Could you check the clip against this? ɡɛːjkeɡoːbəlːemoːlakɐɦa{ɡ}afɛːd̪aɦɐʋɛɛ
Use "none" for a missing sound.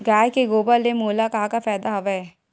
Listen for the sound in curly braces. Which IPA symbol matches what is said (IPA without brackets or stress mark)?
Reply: k